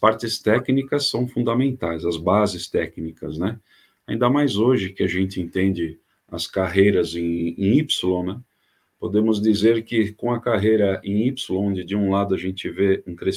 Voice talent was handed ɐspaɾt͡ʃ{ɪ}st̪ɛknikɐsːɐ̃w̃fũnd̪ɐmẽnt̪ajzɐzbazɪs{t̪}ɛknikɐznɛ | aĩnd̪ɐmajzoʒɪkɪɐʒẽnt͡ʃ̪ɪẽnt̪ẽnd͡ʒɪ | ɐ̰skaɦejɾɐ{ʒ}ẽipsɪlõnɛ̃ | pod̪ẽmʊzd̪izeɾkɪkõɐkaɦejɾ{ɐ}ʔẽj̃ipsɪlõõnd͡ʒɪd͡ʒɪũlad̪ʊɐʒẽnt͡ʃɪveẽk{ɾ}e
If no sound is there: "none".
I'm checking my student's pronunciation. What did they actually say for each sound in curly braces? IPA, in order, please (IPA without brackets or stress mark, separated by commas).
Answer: ɪ, t̪, z, ɐ, ɾ